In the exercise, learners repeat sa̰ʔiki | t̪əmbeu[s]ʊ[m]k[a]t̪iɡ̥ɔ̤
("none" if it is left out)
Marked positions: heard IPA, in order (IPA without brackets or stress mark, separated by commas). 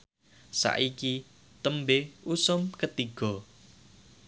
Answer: s, m, ə